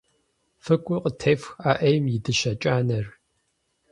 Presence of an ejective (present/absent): present